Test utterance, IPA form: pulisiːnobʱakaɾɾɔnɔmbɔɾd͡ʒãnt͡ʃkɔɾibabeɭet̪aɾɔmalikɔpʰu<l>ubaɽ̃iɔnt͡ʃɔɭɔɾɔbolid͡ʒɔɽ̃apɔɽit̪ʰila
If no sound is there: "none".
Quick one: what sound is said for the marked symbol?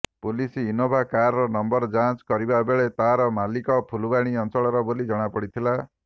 l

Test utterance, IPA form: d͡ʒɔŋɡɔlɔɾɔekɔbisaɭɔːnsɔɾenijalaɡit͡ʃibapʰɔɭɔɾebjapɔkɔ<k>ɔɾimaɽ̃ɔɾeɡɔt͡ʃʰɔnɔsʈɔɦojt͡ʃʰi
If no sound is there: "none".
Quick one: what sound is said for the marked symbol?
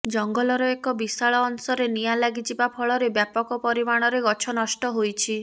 p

